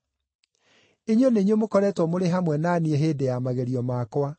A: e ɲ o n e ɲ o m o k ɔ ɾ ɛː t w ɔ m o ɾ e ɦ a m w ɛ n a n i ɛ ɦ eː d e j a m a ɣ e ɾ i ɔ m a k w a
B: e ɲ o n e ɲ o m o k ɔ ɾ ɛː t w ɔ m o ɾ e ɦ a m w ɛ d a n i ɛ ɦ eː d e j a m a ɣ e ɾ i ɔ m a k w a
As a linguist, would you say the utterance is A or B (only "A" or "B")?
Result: A